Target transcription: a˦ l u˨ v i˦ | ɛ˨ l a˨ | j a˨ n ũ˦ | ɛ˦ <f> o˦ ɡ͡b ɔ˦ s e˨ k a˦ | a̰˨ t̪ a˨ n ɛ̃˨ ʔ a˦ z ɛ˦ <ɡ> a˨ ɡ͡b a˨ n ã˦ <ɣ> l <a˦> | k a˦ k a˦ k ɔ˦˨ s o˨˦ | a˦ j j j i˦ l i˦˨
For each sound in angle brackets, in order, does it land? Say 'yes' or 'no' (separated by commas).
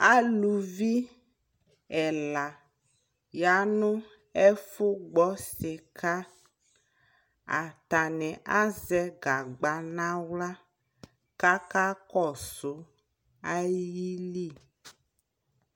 yes, yes, no, yes